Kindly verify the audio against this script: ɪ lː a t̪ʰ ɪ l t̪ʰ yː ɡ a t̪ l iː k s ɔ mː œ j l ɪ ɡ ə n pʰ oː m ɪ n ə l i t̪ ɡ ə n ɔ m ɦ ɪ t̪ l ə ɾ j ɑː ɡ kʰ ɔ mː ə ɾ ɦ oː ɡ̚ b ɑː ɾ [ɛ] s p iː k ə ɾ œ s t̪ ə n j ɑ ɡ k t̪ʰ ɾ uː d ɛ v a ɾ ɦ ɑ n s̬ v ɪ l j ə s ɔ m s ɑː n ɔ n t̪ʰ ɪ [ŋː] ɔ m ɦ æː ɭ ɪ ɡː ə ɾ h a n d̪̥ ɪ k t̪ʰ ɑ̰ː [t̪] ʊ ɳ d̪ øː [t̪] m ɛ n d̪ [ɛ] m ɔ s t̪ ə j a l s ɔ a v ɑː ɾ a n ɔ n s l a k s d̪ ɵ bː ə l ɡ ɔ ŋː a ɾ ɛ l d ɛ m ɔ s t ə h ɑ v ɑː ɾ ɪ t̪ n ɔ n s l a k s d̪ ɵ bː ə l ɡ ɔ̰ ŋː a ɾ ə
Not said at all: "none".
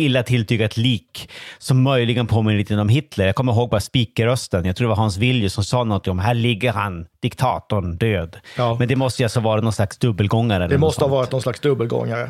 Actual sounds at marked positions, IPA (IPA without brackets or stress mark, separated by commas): a, ŋ, t̪, d̪, ɛ